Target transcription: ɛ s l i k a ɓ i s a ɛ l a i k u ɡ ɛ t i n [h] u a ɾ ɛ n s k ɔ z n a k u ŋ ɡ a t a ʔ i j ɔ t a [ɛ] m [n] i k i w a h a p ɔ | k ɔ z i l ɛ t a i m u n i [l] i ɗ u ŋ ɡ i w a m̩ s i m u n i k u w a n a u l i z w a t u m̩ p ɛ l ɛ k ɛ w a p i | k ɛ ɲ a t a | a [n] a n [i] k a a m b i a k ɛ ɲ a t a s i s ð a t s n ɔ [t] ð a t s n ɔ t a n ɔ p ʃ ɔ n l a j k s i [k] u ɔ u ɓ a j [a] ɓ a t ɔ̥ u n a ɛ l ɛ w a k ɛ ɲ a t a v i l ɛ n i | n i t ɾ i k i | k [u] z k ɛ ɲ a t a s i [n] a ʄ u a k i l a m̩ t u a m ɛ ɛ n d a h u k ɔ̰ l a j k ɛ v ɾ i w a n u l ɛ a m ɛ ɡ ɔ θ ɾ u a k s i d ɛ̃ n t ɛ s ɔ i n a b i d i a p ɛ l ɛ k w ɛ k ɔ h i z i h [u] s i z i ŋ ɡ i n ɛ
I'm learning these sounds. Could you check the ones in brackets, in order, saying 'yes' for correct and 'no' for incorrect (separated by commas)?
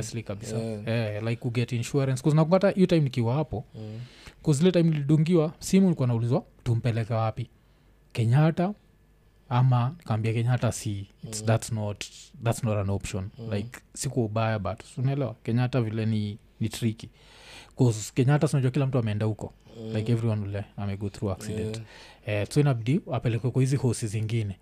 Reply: no, no, yes, yes, no, yes, yes, yes, yes, no, yes, no